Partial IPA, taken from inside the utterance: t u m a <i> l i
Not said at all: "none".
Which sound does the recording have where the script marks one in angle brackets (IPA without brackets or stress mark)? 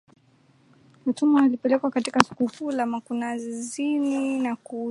a